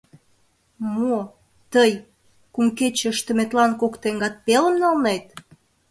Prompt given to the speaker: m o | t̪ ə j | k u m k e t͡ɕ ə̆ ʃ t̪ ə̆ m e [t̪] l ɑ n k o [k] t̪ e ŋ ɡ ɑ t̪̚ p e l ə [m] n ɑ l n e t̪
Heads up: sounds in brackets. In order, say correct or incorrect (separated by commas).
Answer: correct, correct, correct